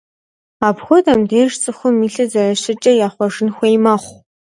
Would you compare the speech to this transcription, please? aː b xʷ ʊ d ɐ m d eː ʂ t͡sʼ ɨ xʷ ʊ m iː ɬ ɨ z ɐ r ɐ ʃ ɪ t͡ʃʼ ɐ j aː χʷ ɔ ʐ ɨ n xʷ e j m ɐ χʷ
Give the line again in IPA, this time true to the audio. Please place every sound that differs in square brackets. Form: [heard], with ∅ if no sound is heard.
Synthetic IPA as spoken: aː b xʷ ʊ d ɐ m d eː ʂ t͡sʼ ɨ xʷ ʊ m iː ɬ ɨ z ɐ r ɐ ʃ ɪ t͡ʃʼ ɐ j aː χʷ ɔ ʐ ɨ n xʷ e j m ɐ χʷ